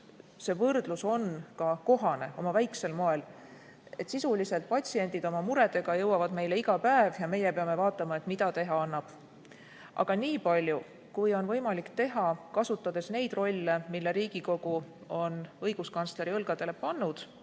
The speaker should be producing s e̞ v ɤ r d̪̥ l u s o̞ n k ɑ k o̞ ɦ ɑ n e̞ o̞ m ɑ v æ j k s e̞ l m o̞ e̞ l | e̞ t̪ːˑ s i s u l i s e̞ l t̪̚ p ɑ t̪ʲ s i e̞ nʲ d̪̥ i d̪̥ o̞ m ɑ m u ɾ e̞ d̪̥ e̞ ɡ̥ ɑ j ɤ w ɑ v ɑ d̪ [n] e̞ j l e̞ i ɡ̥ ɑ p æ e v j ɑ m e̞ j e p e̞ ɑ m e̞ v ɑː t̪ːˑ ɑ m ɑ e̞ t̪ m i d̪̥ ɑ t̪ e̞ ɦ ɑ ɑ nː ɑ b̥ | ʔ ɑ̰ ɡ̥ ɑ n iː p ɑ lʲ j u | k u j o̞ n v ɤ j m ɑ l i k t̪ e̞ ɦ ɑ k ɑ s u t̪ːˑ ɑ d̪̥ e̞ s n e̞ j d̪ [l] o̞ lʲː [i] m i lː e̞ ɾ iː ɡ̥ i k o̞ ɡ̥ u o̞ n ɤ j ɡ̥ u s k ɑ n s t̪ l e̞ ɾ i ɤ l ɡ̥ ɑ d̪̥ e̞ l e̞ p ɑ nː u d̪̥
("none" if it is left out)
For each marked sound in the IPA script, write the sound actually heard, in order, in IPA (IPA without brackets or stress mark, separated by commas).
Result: m, r, e